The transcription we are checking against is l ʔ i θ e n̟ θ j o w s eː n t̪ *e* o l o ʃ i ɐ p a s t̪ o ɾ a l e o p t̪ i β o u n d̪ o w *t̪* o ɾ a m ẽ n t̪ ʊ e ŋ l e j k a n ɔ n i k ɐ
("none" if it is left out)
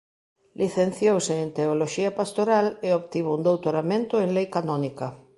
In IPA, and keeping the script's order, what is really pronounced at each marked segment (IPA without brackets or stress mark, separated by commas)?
e, t̪